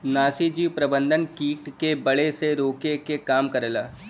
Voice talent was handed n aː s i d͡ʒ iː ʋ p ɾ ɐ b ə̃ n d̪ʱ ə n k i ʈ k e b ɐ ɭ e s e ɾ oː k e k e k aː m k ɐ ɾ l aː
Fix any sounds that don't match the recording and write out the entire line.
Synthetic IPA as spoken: n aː s i d͡ʒ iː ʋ p ɾ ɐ b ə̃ n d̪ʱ ə n k iː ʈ k e b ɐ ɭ e s e ɾ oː k e k e k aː m k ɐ ɾ l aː